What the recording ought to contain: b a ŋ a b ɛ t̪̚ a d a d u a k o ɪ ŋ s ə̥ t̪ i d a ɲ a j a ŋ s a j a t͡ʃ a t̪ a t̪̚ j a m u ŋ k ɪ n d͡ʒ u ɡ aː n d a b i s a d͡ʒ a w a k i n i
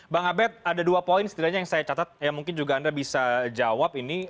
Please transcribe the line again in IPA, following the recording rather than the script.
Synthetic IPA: b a ŋ a b ɛ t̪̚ a d a d u a p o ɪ n s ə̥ t̪ i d a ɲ a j a ŋ s a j a t͡ʃ a t̪ a t̪̚ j a m u ŋ k ɪ n d͡ʒ u ɡ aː n d a b i s a d͡ʒ a w a p i n i